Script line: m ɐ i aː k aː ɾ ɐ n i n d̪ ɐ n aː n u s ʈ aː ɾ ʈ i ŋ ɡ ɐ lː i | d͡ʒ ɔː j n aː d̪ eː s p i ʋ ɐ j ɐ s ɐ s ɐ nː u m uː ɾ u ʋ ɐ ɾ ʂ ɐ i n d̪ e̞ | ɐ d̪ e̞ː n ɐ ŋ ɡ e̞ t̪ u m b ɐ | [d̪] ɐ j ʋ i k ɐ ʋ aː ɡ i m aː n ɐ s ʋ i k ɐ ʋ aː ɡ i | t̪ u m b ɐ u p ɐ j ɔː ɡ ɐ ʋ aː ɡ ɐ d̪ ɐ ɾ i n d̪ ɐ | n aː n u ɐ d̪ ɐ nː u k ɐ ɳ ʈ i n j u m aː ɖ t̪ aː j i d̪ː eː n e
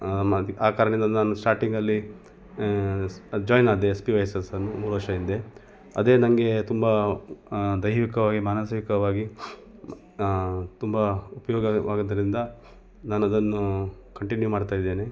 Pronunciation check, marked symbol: correct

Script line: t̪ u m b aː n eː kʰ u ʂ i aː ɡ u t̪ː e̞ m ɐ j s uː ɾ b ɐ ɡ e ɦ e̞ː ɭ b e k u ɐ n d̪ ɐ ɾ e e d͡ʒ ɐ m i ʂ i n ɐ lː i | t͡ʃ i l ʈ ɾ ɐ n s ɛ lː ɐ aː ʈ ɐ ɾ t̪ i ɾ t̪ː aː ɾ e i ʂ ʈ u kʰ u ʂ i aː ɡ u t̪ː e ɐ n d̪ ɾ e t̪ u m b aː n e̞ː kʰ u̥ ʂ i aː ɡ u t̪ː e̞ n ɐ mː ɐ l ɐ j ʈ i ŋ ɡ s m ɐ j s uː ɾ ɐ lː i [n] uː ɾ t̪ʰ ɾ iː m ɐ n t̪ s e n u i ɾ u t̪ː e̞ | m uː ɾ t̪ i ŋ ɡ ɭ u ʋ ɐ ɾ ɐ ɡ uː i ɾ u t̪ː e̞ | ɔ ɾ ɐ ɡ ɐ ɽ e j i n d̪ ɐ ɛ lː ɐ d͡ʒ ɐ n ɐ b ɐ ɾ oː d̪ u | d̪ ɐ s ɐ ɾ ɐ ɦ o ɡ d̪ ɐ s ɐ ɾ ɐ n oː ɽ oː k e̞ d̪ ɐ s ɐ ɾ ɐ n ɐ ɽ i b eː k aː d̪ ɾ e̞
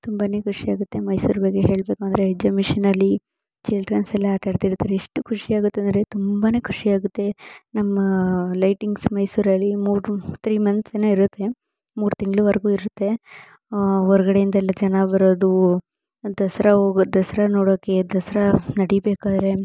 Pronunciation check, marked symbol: incorrect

